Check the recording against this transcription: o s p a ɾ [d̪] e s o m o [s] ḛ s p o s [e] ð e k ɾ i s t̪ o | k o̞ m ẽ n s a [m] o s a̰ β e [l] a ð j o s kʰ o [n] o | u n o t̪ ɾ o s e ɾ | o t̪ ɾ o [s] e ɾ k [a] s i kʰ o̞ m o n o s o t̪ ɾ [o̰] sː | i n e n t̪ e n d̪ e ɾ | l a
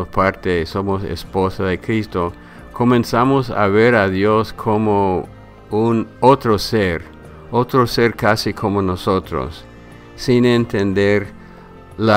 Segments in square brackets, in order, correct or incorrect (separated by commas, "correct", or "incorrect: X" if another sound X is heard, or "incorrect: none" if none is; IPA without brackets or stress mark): incorrect: t̪, correct, incorrect: a, correct, incorrect: ɾ, incorrect: m, correct, correct, correct